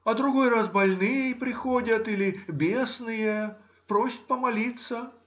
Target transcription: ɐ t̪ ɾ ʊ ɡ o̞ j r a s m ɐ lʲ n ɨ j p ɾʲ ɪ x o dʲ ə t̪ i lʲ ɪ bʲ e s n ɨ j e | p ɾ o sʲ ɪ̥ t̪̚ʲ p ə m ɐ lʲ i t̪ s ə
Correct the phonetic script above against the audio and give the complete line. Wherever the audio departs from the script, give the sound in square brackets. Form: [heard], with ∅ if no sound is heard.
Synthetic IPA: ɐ [d̪] ɾ ʊ ɡ o̞ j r a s [b] ɐ lʲ n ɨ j p ɾʲ ɪ x o dʲ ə t̪ i lʲ ɪ bʲ e s n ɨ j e | p ɾ o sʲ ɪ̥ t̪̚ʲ p ə m ɐ lʲ i t̪ s ə